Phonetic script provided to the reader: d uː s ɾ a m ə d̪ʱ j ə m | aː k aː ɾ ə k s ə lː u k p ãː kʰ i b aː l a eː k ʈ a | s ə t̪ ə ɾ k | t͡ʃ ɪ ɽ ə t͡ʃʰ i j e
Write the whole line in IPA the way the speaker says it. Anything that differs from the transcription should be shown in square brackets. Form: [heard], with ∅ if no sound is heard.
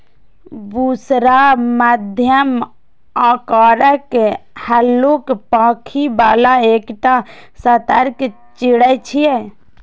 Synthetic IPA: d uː s ɾ a m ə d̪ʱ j ə m | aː k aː ɾ ə k [h] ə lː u k p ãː kʰ i b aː l a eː k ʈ a | s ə t̪ ə ɾ k | t͡ʃ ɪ ɽ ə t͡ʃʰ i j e